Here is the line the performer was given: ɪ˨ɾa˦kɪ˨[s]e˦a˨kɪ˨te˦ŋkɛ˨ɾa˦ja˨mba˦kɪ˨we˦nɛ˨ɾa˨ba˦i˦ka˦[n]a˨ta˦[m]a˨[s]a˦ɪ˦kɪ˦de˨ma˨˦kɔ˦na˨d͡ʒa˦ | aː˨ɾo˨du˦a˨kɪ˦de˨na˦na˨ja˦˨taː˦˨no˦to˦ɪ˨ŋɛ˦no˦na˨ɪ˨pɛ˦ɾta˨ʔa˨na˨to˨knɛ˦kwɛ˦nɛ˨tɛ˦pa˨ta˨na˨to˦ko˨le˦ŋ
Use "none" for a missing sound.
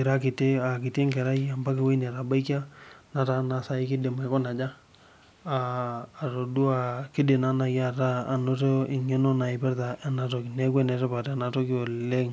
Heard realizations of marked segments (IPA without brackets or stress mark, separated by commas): t, n, n, s